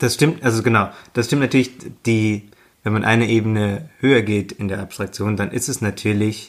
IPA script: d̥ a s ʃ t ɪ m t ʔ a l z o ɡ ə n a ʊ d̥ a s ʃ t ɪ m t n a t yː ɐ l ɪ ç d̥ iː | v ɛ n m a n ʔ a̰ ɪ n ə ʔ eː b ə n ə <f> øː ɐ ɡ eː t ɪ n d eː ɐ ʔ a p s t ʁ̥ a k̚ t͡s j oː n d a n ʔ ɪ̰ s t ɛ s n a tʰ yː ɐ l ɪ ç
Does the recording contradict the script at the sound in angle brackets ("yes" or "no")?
yes